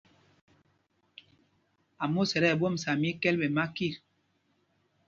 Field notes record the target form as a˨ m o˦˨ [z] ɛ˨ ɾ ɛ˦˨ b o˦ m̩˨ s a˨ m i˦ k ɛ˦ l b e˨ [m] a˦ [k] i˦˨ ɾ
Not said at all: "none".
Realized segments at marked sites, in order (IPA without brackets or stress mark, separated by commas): s, m, k